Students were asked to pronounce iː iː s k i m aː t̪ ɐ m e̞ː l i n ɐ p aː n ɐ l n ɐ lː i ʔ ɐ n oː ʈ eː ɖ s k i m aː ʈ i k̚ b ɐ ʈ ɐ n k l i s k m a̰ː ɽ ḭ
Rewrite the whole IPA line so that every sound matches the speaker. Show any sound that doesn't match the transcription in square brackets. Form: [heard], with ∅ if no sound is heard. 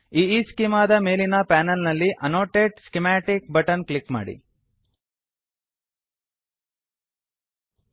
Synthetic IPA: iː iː s k i m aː [d̪] ɐ m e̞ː l i n ɐ p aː n ɐ l n ɐ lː i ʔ ɐ n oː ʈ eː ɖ s k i m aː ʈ i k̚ b ɐ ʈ ɐ n k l i [∅] k m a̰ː ɽ ḭ